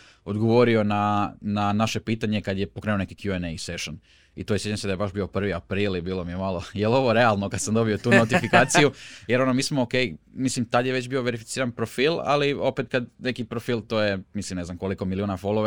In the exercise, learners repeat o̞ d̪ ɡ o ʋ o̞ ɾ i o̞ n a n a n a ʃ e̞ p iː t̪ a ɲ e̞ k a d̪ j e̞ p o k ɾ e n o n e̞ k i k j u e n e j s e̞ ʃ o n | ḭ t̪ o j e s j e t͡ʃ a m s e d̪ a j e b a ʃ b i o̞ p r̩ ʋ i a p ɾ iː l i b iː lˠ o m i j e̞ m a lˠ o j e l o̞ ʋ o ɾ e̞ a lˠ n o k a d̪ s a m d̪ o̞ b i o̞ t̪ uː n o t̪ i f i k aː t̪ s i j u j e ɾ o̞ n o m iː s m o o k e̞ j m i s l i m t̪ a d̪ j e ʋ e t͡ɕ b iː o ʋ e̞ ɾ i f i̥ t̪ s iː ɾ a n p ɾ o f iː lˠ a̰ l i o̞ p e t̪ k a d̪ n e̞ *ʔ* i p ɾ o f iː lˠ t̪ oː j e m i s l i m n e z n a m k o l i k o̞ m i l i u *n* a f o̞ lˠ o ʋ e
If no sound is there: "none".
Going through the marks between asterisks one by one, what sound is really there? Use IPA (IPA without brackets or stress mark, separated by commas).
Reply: k, n